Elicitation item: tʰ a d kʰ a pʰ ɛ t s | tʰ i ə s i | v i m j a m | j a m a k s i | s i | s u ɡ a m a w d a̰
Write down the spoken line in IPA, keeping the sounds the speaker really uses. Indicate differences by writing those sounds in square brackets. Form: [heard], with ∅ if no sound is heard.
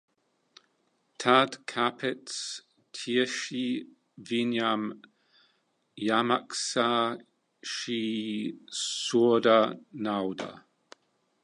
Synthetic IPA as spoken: tʰ a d kʰ a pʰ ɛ t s | tʰ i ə [ʃ] i | v i [n] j a m | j a m a k s [a] | [ʃ] i | s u [d] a [n] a w d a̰